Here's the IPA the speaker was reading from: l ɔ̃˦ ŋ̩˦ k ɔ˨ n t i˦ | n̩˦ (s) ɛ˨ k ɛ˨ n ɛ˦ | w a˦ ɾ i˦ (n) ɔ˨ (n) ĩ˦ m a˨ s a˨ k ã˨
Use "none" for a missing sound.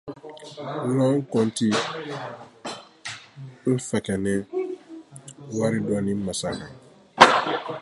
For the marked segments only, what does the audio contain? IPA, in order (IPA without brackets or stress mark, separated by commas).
f, d, n